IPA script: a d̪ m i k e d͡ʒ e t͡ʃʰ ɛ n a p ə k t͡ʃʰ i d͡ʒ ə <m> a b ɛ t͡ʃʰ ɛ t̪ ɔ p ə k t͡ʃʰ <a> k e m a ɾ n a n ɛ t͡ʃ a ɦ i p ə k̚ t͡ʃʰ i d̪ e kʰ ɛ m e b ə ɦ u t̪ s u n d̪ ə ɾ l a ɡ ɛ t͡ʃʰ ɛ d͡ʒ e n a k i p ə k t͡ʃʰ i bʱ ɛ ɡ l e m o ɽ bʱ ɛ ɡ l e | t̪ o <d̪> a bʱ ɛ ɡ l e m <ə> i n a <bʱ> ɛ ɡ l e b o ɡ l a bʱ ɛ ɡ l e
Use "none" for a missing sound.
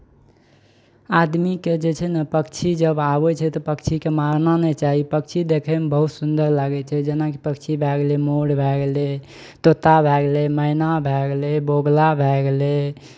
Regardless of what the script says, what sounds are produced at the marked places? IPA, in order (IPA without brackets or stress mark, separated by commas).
b, i, t̪, ə, bʱ